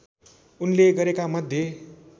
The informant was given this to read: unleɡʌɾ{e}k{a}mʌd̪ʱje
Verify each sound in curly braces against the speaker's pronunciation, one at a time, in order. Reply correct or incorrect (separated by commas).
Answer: correct, correct